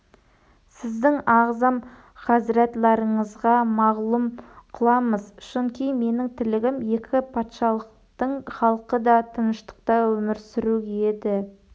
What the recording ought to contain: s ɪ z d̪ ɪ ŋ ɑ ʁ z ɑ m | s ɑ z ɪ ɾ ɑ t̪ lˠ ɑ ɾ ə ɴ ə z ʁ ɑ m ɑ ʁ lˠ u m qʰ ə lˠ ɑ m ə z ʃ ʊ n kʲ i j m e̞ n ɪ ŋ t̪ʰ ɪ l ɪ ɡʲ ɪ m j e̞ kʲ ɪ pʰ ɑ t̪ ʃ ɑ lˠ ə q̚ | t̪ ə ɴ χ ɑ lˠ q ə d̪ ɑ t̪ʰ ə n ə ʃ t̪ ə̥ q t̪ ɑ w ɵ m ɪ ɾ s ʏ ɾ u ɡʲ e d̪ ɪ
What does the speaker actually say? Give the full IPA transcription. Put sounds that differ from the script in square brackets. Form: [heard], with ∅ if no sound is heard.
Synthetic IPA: s ɪ z d̪ ɪ ŋ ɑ ʁ z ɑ m | [χ] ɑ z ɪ ɾ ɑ t̪ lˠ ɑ ɾ ə ɴ ə z ʁ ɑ m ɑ ʁ lˠ u m qʰ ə lˠ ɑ m ə z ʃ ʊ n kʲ i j m e̞ n ɪ ŋ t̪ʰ ɪ l ɪ ɡʲ ɪ m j e̞ kʲ ɪ pʰ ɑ t̪ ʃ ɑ lˠ ə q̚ | t̪ ə ɴ χ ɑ lˠ q ə d̪ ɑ t̪ʰ ə n ə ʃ t̪ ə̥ q t̪ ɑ w ɵ m ɪ ɾ s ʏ ɾ u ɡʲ e d̪ ɪ